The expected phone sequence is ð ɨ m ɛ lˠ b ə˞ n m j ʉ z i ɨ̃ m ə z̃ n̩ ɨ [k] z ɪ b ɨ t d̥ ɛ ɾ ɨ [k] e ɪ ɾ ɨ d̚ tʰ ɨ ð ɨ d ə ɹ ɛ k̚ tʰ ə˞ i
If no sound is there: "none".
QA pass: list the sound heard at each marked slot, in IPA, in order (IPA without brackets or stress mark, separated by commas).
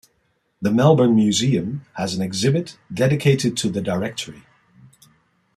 ɡ, kʰ